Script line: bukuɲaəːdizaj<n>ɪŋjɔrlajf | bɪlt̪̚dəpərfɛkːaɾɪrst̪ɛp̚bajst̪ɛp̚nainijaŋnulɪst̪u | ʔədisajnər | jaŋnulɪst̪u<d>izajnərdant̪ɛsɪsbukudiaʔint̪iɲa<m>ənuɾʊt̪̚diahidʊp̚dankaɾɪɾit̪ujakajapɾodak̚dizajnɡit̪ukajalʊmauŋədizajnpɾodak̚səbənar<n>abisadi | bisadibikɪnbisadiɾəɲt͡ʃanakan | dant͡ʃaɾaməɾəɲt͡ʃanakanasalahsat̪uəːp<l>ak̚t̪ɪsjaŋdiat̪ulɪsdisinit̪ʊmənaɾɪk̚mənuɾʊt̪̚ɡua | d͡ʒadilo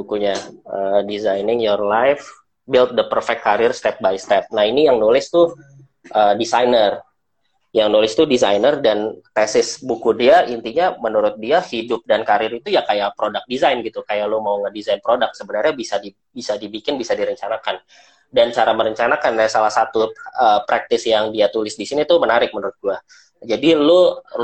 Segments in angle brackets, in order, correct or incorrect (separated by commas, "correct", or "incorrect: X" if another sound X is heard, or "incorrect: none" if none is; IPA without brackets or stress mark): correct, correct, correct, incorrect: ɲ, incorrect: ɾ